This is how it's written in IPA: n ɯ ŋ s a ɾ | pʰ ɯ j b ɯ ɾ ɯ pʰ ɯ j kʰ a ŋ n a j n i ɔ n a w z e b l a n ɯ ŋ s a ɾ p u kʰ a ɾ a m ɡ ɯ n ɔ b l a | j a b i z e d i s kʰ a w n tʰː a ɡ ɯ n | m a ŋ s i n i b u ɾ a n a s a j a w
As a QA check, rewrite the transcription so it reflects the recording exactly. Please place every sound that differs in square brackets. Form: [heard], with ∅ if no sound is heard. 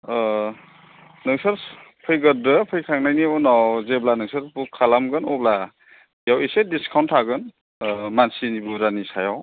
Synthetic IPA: n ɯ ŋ s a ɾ | pʰ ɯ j [ɡ] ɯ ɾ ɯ pʰ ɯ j kʰ a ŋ n a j n i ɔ n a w z e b l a n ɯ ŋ s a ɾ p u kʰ a [l] a m ɡ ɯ n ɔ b l a | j a [w] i [s] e d i s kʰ a w n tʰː a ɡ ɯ n | m a [n] s i n i b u ɾ a n [i] s a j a w